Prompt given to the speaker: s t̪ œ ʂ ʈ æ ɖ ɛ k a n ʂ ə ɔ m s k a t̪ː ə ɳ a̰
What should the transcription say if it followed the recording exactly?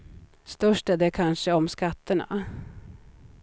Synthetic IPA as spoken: s t̪ œ ʂ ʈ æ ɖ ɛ kʰ a n ʂ ə ɔ m s k a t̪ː ə ɳ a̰